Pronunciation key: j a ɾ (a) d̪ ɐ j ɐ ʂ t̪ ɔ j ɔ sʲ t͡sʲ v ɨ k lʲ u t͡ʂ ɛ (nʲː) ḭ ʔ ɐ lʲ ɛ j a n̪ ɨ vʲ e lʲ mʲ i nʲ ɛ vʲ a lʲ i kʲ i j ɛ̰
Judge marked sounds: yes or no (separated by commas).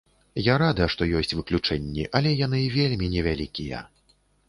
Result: yes, yes